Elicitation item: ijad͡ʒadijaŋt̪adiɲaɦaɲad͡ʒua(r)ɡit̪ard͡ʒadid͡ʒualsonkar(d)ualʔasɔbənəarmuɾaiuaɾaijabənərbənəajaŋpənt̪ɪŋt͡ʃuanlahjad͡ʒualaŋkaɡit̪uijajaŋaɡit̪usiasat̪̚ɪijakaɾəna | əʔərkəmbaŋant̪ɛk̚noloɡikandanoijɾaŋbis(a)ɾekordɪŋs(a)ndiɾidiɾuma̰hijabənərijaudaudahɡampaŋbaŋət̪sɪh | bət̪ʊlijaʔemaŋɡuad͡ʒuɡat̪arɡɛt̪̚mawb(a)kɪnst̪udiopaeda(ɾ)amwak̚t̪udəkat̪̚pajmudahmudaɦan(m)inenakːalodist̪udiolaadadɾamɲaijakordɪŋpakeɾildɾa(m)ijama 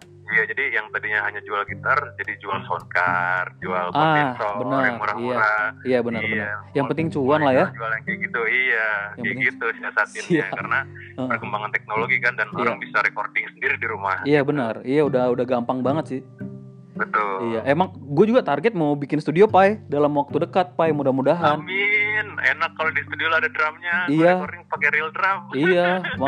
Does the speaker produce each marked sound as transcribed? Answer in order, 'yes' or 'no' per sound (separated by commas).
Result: no, no, yes, no, no, no, yes, yes